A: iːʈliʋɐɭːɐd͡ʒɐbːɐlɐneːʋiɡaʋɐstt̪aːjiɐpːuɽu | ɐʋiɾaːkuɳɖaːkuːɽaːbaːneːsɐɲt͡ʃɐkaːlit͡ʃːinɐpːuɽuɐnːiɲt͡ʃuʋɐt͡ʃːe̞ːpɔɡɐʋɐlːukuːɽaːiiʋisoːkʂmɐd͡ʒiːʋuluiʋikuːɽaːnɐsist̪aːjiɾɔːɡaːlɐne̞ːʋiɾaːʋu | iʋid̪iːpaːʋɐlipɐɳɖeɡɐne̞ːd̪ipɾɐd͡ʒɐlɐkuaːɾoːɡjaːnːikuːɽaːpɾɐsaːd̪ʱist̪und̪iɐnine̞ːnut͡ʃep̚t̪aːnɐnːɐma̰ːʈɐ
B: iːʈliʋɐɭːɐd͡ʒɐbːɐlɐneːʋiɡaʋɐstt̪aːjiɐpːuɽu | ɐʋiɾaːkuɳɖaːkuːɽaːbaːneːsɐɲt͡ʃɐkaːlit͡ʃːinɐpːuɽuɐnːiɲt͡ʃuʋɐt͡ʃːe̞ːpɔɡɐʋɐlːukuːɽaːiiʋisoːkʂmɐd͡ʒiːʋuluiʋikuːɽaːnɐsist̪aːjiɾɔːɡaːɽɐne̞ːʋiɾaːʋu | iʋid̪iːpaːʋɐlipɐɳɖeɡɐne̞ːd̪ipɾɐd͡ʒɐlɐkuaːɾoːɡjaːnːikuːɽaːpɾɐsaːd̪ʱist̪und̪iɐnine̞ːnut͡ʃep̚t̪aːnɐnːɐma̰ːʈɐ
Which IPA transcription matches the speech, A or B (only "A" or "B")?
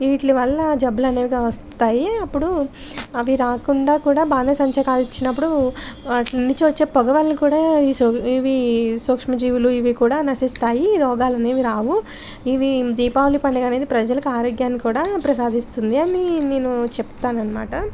A